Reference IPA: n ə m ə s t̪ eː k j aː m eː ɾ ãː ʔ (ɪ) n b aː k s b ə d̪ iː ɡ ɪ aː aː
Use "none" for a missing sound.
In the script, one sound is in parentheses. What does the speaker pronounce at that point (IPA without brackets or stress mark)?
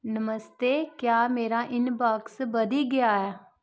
ɪ